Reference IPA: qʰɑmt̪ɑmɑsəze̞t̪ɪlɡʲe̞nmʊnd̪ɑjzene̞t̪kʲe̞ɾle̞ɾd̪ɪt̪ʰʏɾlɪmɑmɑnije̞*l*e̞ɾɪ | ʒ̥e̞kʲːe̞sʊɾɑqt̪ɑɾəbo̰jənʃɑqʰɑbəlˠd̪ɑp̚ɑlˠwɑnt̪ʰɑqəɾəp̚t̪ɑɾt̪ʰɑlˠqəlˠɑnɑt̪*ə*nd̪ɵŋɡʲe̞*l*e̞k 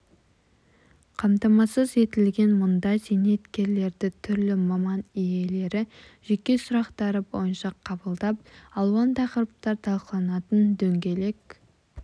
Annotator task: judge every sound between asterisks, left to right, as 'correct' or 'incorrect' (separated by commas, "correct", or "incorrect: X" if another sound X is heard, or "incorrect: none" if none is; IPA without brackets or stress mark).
correct, correct, correct